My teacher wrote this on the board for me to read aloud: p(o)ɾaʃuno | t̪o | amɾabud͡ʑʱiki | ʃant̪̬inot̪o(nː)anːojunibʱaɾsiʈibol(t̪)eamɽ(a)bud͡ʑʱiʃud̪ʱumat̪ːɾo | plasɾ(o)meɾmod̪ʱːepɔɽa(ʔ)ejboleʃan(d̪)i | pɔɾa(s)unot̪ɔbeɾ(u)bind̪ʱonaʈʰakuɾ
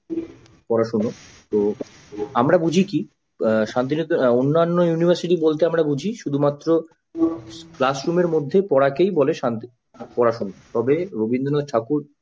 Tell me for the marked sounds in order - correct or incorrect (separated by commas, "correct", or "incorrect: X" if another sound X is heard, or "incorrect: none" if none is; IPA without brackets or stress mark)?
incorrect: ɔ, correct, correct, correct, incorrect: u, incorrect: k, incorrect: t̪, incorrect: ʃ, incorrect: o